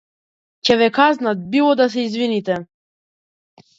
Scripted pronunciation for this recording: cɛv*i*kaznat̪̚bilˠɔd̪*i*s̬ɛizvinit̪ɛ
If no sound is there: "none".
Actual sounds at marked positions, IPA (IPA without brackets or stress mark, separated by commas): ɛ, a